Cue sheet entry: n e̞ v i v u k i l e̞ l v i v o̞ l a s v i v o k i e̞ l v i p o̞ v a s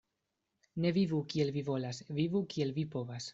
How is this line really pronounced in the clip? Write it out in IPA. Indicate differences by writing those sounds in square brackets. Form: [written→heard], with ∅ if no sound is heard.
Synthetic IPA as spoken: n e̞ v i v u k i [l→∅] e̞ l v i v o̞ l a s v i v [o→u] k i e̞ l v i p o̞ v a s